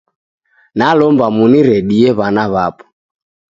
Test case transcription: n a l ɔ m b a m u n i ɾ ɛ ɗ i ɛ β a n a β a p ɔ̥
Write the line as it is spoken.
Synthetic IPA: n a l ɔ m b a m u n i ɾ ɛ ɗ i ɛ β a n a β a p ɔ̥